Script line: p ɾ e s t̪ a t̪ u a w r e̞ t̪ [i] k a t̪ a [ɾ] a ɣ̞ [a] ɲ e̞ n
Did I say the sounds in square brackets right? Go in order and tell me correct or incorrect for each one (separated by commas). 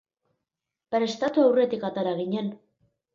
correct, correct, incorrect